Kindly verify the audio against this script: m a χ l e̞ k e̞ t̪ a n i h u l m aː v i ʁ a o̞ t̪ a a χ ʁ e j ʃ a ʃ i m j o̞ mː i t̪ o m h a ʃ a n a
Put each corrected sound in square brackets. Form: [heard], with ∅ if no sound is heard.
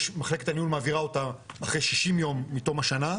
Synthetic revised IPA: m a χ l e̞ k e̞ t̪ a n i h u l m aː v i ʁ a o̞ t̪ a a χ ʁ e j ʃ [i] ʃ i m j o̞ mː i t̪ o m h a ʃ a n a